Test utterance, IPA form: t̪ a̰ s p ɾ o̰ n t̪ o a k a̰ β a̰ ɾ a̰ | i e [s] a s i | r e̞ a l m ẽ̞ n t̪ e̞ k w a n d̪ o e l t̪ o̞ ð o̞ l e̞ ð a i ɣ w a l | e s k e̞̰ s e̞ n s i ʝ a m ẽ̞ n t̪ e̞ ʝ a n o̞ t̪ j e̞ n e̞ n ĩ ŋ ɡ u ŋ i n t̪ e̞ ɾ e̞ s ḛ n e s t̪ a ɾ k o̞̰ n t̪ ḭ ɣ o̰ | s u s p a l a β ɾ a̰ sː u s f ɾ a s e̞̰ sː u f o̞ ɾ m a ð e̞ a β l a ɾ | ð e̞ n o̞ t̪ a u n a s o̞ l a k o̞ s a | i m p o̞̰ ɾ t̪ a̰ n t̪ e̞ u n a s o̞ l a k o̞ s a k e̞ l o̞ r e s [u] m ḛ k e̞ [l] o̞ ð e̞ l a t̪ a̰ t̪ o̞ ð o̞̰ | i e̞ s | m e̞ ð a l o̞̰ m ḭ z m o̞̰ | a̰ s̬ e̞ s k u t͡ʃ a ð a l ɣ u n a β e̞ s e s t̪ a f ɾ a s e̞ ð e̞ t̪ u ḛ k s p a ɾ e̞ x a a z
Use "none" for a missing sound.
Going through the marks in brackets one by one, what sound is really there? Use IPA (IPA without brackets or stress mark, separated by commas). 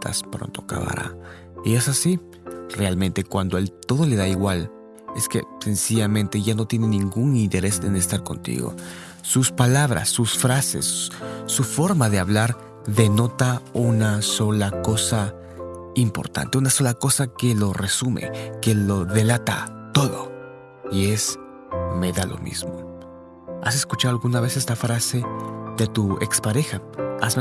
s, u, l